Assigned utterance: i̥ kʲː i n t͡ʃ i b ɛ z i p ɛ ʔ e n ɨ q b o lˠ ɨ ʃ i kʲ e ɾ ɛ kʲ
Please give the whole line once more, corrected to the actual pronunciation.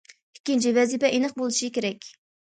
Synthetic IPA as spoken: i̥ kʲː i n t͡ʃ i v ɛ z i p ɛ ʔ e n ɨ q b o lˠ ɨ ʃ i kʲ e ɾ ɛ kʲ